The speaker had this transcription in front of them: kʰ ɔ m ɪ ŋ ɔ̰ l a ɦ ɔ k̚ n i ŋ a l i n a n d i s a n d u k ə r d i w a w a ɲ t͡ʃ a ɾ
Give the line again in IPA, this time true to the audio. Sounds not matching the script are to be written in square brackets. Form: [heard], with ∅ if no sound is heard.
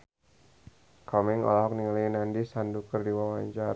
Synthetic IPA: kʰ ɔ m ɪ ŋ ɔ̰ l a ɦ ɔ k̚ n i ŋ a l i n a n d i s a n d u k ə r d i w a w a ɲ t͡ʃ a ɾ